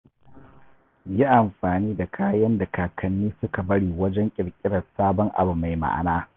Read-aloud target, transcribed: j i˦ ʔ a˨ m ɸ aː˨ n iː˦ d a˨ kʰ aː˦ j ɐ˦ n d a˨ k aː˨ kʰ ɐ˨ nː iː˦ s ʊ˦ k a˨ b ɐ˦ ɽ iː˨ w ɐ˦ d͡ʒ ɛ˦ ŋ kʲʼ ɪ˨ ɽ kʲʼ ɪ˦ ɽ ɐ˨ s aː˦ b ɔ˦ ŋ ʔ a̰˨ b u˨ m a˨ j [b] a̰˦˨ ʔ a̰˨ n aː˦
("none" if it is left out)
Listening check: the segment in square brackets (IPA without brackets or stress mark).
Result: m